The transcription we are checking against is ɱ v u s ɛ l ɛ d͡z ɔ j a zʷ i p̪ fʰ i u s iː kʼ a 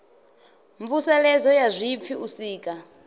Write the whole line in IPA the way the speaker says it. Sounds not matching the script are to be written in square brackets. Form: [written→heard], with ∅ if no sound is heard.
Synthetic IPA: ɱ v u s ɛ l ɛ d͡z ɔ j a zʷ i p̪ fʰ i u s iː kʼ a